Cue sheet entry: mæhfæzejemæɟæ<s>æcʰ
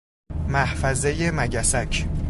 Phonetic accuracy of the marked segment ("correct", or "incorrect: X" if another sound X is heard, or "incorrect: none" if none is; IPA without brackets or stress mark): correct